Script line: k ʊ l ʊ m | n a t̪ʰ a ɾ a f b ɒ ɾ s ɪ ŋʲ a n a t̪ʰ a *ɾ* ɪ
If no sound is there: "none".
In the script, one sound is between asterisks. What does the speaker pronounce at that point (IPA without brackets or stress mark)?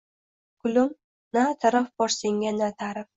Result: ɾ